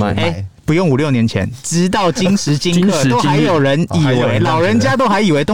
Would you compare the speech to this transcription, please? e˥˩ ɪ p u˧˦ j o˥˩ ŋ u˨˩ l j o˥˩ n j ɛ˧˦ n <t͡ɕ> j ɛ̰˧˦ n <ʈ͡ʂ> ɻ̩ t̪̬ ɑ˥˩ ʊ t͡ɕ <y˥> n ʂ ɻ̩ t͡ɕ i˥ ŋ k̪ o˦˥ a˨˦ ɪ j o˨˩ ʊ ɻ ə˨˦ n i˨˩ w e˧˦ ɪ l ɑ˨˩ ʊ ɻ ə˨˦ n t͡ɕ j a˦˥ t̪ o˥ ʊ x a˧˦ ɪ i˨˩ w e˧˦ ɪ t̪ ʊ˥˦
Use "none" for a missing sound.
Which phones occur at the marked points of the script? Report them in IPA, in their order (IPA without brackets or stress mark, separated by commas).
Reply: t͡ɕʰ, ʈ͡ʂ, i˥